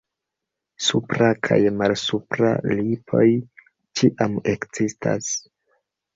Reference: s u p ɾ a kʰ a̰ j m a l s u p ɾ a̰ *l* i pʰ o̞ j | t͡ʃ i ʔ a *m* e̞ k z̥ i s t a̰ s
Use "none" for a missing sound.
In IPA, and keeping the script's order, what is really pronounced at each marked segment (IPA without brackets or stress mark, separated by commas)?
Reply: l, m